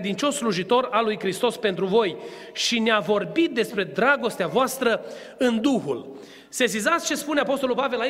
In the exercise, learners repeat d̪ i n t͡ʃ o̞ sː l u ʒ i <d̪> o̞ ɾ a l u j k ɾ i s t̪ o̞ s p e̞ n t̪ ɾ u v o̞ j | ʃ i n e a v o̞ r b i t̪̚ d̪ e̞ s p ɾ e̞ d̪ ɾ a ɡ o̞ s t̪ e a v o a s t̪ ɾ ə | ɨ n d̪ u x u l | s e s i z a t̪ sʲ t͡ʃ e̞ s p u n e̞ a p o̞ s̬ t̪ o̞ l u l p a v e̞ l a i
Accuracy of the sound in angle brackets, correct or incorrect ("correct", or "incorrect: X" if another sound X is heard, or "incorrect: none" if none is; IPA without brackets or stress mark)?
incorrect: t̪